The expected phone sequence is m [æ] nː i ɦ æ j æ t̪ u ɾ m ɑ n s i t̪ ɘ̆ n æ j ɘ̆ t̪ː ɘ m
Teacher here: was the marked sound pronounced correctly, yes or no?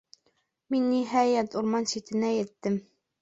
no